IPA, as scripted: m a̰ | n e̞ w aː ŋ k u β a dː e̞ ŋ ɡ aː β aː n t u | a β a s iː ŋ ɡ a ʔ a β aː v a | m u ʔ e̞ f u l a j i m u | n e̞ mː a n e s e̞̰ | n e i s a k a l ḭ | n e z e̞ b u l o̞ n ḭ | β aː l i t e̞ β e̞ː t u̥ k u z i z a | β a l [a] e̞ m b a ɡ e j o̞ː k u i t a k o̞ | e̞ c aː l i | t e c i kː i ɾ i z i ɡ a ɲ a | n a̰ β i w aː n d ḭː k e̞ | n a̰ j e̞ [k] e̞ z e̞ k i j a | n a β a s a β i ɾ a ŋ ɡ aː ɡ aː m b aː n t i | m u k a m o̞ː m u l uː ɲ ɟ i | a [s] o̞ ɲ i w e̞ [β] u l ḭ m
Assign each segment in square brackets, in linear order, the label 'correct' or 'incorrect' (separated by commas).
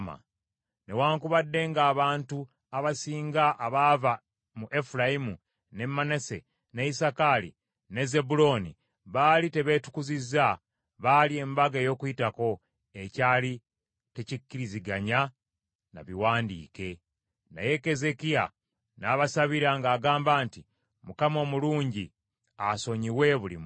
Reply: incorrect, correct, correct, correct